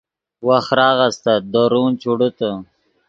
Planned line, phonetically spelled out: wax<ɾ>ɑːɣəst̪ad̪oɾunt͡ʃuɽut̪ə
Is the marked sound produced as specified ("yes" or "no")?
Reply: yes